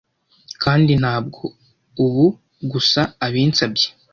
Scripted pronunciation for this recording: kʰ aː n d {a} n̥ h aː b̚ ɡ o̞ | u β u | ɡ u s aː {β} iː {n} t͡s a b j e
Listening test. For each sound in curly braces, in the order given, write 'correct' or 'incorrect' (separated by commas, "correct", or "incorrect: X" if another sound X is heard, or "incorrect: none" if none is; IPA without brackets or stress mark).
incorrect: i, correct, correct